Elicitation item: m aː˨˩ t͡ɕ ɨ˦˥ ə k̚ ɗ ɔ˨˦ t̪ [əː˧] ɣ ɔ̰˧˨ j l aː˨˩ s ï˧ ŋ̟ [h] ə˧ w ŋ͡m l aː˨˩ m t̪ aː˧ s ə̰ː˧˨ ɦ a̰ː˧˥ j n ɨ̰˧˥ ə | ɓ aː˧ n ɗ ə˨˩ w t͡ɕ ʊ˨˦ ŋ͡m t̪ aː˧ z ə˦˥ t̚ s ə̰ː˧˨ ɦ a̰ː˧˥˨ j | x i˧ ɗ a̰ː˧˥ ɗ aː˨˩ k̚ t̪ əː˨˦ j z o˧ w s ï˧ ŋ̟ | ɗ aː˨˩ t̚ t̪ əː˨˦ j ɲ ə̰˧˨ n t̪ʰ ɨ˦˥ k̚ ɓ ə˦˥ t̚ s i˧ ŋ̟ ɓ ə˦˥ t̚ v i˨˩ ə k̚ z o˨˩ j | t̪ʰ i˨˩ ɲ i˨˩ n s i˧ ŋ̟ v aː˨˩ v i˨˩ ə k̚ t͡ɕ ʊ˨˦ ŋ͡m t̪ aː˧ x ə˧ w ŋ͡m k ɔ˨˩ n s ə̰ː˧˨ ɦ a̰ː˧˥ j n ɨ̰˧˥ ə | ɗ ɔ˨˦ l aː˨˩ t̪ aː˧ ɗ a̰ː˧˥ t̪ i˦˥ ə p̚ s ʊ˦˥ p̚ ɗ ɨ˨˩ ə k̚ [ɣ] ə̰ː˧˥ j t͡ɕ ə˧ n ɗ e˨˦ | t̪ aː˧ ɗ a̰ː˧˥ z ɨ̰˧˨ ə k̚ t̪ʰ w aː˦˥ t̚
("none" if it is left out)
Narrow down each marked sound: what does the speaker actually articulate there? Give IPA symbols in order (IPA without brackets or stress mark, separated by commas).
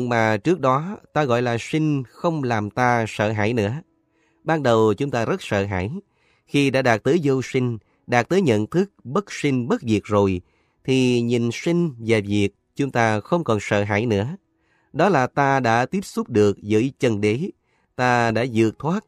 aː˧, x, z